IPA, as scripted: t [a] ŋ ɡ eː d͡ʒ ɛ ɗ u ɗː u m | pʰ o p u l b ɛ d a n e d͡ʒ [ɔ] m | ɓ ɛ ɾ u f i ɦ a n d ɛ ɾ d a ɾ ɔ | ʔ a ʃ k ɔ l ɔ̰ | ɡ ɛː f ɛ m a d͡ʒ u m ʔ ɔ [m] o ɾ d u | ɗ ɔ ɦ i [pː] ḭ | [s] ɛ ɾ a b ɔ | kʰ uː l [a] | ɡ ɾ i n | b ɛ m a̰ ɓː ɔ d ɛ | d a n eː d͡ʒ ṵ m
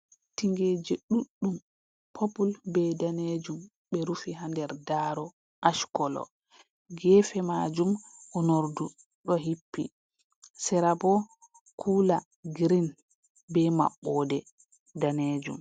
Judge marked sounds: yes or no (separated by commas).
no, no, no, yes, yes, yes